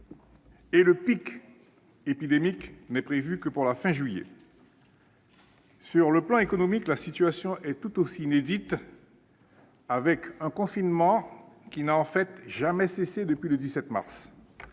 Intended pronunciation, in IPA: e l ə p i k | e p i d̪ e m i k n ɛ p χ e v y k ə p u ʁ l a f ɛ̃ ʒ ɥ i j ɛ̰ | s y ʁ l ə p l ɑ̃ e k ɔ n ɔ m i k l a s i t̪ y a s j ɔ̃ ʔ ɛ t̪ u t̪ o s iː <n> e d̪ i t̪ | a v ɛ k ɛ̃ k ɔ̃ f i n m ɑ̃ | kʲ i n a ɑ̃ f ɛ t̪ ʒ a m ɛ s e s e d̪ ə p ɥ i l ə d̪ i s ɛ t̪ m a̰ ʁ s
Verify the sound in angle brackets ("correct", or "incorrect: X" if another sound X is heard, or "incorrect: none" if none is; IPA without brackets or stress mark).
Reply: correct